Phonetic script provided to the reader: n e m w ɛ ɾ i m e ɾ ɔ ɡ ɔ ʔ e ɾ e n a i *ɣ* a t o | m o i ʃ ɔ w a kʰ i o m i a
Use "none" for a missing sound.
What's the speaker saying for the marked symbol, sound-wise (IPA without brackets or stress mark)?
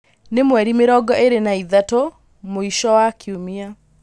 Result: ð